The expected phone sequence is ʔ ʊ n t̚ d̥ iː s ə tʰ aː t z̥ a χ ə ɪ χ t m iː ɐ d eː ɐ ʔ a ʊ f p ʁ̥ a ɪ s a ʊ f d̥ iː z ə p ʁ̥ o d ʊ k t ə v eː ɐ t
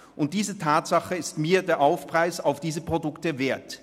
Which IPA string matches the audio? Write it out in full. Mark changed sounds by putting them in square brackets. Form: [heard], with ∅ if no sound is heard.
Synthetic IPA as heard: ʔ ʊ n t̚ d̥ iː [z] ə tʰ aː t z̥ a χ ə ɪ [s] t m iː ɐ d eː ɐ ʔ a ʊ f p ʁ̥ a ɪ s a ʊ f d̥ iː z ə p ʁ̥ o d ʊ k t ə v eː ɐ t